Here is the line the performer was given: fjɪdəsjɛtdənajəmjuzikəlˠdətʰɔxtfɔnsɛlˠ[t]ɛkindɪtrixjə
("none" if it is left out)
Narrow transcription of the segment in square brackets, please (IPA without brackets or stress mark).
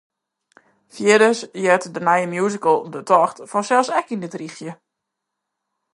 s